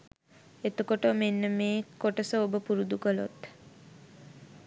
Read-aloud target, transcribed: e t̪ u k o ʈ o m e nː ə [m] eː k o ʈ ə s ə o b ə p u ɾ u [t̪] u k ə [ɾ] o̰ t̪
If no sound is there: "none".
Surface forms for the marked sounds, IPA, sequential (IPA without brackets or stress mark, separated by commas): m, d̪, l